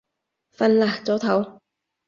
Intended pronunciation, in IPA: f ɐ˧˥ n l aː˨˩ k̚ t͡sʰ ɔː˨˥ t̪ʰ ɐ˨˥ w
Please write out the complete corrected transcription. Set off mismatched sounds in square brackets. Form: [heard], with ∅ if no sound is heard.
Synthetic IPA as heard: f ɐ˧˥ n l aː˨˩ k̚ [t͡s] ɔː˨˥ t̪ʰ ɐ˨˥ w